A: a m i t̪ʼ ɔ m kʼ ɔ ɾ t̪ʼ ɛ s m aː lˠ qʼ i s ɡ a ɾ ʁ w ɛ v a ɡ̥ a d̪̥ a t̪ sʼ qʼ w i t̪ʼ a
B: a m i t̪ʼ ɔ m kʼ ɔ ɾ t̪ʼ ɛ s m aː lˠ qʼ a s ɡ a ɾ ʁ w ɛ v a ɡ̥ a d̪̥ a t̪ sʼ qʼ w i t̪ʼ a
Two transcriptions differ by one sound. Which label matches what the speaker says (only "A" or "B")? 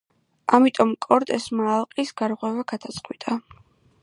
A